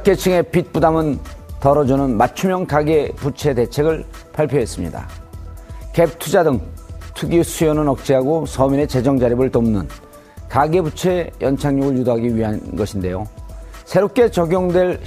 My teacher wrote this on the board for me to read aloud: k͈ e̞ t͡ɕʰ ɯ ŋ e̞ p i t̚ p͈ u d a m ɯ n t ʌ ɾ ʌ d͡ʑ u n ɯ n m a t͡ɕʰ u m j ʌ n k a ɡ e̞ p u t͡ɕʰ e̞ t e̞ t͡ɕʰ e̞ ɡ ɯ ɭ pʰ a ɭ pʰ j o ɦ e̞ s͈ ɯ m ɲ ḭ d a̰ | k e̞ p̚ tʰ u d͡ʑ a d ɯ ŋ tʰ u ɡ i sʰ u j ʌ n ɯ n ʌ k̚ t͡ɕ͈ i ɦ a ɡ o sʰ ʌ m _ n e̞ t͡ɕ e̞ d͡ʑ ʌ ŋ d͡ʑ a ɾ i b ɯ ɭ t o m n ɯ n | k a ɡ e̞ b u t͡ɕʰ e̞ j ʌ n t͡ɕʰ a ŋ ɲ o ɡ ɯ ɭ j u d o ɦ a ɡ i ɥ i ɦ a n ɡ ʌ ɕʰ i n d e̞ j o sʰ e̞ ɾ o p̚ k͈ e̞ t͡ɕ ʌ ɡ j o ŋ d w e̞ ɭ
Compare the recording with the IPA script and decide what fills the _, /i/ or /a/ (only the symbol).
i